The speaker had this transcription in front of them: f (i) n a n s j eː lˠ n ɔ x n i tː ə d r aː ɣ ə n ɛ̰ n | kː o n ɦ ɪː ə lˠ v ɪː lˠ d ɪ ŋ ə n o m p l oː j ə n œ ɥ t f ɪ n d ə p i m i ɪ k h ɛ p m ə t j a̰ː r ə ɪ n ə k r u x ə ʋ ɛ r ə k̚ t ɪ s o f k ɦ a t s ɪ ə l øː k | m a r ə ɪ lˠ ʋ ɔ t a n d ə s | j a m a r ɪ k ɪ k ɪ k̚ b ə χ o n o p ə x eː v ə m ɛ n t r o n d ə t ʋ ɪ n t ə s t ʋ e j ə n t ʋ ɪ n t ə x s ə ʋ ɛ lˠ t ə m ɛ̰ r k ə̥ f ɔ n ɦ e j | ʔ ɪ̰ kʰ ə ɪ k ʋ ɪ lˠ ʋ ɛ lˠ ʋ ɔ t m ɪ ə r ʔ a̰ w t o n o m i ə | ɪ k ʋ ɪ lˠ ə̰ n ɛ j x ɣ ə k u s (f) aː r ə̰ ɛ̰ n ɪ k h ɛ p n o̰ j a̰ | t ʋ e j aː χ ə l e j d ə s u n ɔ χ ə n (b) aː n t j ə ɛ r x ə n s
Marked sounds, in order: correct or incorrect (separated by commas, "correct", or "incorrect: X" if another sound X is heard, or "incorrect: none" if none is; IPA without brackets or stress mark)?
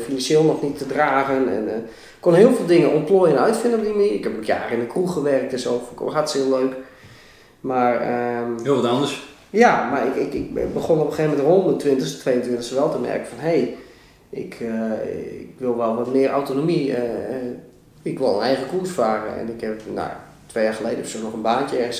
correct, correct, correct